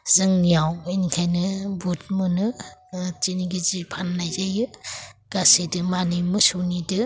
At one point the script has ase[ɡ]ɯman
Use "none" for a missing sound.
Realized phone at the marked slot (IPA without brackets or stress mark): d